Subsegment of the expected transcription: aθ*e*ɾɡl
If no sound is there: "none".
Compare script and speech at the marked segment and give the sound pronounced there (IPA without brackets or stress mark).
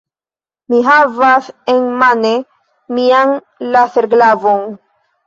e